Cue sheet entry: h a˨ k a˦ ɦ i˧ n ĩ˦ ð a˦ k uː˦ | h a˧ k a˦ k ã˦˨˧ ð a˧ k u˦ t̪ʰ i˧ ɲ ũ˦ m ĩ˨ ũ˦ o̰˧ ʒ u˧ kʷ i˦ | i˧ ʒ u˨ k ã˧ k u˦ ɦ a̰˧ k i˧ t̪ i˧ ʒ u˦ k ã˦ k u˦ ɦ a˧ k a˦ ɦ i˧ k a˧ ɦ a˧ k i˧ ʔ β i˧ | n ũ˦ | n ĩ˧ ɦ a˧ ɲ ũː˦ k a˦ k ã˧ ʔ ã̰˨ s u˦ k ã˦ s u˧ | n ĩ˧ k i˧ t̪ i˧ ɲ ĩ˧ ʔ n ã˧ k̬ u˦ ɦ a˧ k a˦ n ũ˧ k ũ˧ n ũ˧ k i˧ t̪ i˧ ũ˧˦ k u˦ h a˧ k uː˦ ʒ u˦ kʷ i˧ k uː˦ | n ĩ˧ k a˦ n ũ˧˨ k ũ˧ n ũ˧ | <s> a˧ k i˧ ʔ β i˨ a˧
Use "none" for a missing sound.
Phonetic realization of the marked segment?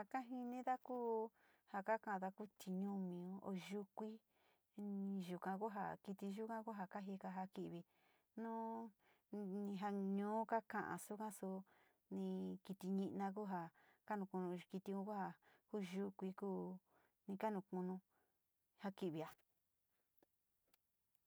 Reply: h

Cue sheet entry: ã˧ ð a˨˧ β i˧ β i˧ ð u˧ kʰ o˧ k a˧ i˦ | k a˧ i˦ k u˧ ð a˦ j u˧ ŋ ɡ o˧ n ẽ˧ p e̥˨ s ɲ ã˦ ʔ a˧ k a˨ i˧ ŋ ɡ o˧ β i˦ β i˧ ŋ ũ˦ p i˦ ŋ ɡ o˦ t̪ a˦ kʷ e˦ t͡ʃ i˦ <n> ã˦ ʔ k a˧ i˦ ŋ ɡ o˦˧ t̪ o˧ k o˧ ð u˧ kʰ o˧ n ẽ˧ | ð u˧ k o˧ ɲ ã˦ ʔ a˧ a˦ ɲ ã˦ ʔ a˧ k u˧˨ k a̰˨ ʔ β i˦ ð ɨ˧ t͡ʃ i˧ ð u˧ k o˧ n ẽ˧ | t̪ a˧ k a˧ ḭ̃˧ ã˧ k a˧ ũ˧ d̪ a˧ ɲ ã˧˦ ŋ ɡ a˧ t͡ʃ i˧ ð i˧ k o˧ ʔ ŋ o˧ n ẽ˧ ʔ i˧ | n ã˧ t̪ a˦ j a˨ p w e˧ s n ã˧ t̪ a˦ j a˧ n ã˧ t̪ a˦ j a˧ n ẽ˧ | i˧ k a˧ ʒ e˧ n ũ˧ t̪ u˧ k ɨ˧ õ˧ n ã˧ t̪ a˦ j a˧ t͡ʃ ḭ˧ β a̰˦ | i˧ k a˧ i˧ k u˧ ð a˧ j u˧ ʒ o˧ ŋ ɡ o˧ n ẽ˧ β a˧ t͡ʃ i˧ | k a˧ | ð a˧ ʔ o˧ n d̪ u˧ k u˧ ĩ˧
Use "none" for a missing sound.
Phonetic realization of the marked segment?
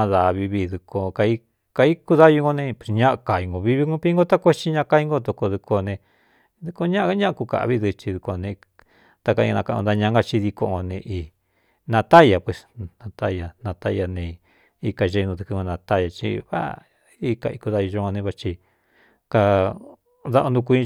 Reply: ɲ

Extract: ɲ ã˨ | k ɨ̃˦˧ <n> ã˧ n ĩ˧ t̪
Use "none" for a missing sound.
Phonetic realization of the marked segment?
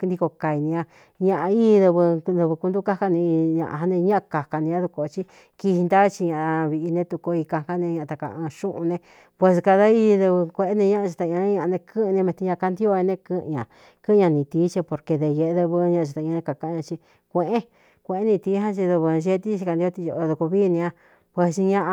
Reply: ɲ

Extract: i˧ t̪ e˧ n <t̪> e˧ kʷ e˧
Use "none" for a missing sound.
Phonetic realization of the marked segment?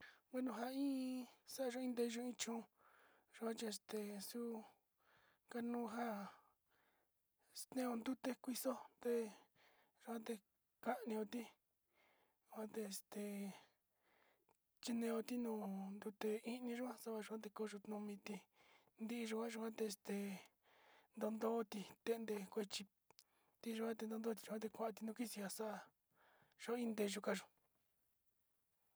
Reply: d̪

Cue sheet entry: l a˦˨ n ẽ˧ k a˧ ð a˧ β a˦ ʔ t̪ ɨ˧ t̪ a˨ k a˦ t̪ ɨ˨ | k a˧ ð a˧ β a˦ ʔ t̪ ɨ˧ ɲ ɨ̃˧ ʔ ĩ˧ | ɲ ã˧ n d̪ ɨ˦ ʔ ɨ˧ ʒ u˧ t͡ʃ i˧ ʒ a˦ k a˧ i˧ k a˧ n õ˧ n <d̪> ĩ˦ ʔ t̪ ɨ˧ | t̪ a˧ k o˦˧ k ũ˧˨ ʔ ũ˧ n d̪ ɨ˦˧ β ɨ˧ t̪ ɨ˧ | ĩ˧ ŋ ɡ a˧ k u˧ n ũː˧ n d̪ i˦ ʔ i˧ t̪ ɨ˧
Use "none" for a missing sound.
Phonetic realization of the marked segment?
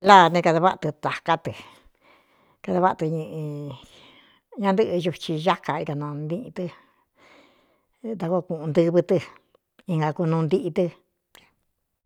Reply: d̪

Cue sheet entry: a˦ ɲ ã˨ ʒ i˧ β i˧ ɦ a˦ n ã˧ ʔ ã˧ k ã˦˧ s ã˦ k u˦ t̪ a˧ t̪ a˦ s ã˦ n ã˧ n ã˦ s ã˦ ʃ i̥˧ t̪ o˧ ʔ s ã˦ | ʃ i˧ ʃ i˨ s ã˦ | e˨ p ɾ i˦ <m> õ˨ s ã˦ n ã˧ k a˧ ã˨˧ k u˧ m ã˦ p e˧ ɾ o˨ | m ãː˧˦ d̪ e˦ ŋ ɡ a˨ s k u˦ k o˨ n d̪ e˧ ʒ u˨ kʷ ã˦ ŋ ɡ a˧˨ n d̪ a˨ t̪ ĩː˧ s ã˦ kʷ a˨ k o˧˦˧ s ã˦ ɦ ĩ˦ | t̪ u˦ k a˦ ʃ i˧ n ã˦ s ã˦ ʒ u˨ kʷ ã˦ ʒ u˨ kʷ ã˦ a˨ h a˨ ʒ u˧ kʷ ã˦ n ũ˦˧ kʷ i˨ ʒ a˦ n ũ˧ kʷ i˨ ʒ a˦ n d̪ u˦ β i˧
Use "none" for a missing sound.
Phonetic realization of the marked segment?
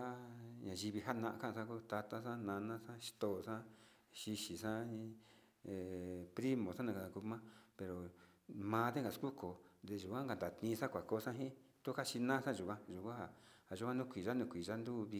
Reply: m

